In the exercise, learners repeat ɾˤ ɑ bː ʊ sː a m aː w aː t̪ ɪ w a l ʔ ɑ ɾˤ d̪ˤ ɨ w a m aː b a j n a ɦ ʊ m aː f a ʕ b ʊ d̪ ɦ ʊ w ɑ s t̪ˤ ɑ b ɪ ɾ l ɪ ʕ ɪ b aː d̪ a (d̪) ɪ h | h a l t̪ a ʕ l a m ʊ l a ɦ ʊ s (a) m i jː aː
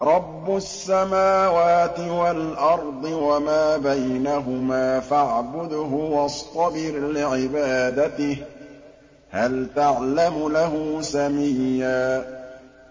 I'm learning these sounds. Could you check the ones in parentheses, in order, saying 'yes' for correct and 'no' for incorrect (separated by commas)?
no, yes